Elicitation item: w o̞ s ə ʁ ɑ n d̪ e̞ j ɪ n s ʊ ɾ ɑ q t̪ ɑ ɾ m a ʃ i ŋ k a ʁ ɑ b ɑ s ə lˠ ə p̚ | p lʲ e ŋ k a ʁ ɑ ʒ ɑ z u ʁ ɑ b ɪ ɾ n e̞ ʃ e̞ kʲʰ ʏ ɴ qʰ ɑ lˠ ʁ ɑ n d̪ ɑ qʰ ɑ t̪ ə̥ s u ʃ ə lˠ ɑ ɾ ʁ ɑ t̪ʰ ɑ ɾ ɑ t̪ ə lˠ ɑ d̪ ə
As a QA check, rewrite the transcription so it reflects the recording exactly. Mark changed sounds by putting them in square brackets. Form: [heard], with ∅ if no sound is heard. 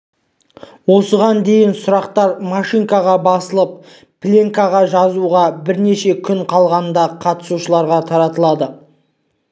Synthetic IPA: w o̞ s ə ʁ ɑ n d̪ e̞ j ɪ n s ʊ ɾ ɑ q t̪ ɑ ɾ m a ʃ i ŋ k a ʁ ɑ b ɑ s ə lˠ ə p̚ | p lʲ e ŋ k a ʁ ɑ ʒ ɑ z u ʁ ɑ b ɪ ɾ n e̞ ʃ e̞ kʲʰ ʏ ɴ qʰ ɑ lˠ ʁ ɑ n d̪ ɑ qʰ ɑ t̪ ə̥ s u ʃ ə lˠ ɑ ɾ ʁ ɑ t̪ʰ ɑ ɾ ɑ t̪ ə lˠ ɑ d̪ ə